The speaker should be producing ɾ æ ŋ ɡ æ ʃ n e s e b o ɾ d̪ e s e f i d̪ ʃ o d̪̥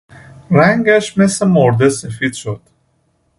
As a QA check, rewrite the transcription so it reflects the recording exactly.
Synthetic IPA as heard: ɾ æ ŋ ɡ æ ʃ m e s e m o ɾ d̪ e s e f i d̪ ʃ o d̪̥